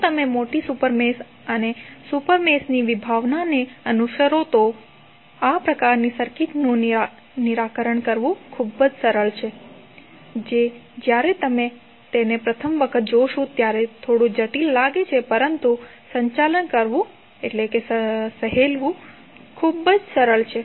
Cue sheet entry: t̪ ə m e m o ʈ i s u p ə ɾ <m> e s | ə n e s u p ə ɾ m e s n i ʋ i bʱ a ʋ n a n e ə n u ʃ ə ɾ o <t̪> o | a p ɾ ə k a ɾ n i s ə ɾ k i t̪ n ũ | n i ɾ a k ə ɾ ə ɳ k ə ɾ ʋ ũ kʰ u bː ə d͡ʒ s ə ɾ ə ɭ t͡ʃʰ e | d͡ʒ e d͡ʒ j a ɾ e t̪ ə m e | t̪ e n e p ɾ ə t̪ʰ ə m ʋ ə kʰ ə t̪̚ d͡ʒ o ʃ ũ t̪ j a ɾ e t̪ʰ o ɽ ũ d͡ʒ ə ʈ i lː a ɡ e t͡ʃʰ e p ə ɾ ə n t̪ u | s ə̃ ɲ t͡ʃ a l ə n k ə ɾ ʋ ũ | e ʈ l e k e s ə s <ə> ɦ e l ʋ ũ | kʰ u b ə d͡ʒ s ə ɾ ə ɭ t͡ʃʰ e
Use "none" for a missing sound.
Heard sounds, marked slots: m, t̪, ə

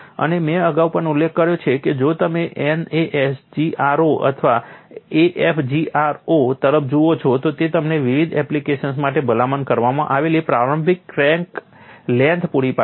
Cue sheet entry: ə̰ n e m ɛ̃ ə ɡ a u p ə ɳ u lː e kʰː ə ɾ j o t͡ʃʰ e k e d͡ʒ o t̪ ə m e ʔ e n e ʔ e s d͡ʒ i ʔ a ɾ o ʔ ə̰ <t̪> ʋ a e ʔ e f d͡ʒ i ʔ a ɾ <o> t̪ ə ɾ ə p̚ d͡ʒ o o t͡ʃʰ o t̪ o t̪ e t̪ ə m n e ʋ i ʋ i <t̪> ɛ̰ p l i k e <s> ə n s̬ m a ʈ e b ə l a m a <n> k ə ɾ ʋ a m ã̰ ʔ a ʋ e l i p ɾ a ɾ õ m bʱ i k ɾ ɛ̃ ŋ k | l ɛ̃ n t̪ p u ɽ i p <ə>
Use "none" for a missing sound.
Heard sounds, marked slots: t̪ʰ, o, d̪, ʃ, n, a

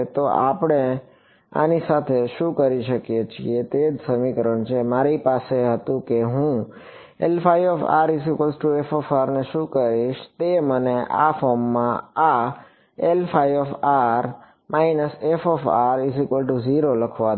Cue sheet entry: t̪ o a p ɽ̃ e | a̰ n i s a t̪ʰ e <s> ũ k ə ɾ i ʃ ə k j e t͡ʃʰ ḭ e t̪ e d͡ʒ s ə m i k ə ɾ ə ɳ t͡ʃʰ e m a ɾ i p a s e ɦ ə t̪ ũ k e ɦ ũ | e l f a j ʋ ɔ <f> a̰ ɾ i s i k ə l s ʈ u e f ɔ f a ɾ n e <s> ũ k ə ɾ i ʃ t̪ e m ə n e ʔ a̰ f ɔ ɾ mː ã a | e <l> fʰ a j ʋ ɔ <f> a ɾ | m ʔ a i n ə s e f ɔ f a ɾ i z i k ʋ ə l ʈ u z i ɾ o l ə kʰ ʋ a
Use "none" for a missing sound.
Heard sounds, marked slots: ʃ, f, ʃ, l, f

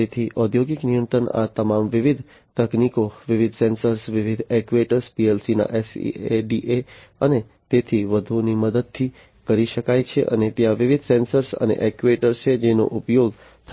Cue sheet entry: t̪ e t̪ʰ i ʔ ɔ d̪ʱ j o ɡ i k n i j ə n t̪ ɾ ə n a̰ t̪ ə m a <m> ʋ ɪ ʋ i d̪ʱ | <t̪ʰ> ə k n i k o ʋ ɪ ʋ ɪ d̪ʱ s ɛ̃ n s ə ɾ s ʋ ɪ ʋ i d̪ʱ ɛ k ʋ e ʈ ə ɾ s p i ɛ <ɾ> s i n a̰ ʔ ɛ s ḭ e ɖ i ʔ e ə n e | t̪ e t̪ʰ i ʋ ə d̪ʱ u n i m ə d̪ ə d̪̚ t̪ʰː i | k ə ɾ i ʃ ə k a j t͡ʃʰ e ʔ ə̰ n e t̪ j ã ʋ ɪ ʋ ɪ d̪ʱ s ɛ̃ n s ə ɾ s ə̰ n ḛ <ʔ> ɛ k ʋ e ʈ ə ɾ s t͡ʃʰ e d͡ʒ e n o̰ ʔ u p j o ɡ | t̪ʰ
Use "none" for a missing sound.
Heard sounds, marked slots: m, t̪, l, ʔ

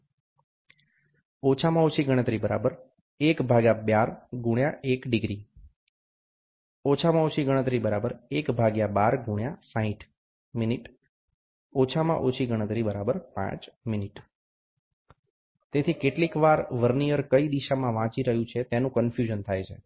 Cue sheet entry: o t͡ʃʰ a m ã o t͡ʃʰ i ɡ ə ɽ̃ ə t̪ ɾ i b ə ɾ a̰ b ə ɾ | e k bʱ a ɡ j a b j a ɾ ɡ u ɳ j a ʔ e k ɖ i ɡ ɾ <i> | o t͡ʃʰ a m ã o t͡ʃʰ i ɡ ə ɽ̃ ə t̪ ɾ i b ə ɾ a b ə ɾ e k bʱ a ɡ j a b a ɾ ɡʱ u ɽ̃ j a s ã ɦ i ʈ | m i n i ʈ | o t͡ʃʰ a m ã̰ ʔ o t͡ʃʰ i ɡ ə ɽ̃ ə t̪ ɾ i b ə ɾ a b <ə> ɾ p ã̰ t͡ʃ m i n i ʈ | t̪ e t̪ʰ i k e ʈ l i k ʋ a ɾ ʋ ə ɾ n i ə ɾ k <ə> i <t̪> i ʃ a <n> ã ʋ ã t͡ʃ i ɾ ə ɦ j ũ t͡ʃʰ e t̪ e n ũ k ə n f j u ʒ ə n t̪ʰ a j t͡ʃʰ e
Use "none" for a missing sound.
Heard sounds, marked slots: i, ə, ə, d̪, m

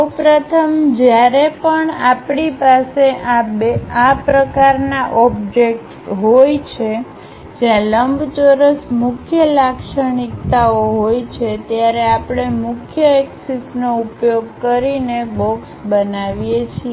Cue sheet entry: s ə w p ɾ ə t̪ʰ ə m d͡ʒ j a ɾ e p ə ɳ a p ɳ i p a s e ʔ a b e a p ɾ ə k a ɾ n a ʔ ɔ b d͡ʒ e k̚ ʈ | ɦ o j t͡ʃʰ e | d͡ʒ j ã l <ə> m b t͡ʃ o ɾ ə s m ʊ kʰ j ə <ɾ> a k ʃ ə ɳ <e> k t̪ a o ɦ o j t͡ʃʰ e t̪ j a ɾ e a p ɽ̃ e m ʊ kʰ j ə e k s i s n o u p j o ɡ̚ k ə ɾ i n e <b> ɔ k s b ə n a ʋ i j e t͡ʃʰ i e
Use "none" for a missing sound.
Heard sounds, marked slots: ə, l, i, b

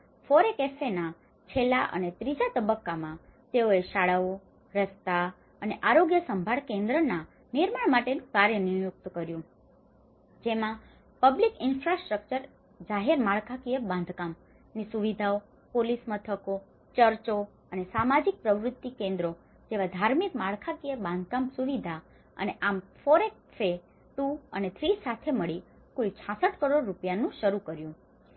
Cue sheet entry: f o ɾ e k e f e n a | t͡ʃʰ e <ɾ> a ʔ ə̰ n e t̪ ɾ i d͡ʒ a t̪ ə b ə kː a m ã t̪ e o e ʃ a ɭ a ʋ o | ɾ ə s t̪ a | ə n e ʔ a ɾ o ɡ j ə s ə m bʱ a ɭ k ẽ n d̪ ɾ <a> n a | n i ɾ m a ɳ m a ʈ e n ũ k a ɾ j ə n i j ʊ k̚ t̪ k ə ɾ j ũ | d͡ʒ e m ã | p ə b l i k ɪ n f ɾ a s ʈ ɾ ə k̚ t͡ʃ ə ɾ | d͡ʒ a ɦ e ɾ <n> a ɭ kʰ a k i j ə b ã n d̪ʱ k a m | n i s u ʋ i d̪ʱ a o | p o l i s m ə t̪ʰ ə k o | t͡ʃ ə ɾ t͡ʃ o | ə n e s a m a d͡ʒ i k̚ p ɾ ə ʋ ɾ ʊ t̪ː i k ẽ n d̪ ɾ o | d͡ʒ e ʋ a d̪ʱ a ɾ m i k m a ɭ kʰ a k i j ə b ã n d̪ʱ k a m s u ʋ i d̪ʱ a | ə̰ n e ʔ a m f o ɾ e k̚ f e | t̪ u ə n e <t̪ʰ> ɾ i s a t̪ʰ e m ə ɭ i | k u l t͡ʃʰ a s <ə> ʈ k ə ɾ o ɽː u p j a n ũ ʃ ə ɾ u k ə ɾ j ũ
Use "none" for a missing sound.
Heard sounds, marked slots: l, ə, m, t̪ʰ, ə

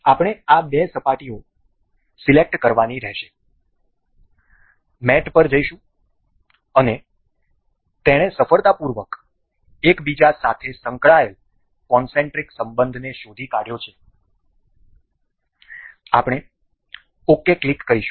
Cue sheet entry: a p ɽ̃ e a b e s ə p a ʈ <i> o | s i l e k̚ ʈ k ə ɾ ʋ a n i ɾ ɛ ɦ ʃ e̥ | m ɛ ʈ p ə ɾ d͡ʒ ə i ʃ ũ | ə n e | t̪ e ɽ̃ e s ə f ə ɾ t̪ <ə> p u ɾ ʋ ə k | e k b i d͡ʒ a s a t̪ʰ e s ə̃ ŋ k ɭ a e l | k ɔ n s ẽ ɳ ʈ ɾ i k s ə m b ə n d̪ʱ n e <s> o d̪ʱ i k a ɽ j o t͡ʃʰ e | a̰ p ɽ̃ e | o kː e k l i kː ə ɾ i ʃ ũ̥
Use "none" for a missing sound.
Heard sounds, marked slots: i, a, ʃ

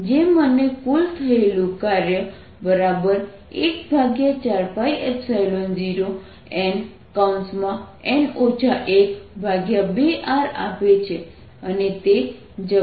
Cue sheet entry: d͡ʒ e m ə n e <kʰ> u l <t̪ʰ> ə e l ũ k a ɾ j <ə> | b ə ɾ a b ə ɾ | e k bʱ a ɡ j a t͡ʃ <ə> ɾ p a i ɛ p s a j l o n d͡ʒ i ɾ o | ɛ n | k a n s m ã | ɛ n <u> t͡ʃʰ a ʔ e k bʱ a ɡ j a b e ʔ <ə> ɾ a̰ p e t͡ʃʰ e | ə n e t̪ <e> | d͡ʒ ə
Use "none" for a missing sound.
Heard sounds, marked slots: k, t̪ʰ, ə, a, o, a, e

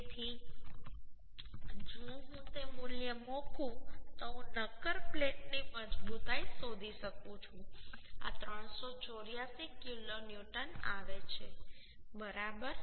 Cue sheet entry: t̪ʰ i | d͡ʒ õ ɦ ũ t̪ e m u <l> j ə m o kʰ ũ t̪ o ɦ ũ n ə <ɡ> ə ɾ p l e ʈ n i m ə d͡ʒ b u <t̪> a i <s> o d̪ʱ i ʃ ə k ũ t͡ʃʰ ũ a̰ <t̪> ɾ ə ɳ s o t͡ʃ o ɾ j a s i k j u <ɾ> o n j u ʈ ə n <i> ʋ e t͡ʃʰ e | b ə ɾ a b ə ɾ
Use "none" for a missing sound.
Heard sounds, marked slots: l, k, t̪, s, t̪, l, a

